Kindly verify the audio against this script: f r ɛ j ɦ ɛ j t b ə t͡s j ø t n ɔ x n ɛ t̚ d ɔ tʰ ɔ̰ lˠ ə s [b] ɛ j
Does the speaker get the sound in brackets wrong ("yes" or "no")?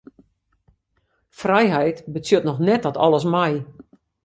yes